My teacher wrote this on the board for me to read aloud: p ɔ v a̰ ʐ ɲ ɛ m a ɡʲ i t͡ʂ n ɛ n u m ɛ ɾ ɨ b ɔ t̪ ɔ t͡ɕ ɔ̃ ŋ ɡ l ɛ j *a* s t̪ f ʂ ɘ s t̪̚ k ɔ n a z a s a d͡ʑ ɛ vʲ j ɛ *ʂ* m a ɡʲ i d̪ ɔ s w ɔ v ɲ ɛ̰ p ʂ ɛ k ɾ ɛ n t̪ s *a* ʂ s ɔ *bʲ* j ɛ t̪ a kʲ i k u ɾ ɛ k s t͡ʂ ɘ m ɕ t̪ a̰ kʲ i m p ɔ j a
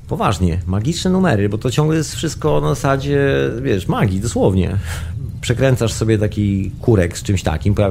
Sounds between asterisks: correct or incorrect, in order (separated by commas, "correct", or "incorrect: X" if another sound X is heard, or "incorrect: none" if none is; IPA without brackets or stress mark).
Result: incorrect: ɛ, correct, correct, correct